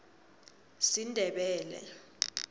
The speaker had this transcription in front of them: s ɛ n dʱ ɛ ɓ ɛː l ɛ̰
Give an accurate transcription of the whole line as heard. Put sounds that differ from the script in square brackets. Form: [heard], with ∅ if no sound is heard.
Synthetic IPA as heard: s [i] n dʱ ɛ ɓ ɛː l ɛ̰